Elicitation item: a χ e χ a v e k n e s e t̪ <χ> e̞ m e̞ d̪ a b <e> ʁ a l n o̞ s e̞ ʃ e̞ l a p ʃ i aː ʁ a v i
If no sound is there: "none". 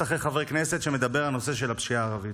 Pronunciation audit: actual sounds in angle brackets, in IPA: ʃ, e

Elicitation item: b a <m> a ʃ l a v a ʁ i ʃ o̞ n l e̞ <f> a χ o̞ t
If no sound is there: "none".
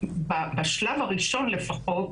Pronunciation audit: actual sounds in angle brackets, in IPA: b, f

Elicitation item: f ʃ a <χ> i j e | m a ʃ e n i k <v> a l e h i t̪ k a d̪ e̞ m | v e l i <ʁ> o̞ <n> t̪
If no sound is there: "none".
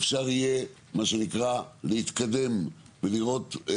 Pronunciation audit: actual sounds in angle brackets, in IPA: ʁ, ʁ, ʁ, none

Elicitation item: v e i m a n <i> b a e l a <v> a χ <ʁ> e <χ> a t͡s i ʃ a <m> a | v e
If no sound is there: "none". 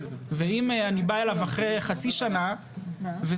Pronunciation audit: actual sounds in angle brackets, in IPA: i, v, ʁ, χ, n

